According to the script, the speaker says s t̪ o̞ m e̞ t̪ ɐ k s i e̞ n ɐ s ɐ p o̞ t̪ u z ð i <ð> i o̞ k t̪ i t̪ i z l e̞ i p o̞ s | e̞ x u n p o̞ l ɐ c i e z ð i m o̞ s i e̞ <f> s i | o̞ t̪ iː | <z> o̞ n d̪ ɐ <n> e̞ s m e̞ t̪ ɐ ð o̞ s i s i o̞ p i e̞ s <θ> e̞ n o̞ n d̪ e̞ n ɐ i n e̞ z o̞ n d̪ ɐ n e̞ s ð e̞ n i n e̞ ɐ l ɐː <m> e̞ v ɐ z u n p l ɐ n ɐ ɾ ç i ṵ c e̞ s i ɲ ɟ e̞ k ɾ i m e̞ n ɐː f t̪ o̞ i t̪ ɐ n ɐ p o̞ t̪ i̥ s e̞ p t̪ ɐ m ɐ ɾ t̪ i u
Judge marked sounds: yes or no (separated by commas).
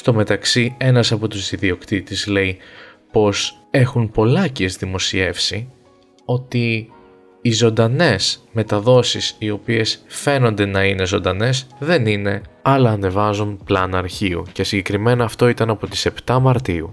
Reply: yes, yes, yes, yes, no, no